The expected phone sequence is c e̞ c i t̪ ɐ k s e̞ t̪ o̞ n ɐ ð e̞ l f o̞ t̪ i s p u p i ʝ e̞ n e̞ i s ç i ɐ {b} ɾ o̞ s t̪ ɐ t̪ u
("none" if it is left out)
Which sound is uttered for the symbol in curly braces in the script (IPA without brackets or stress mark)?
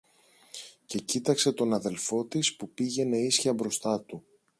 b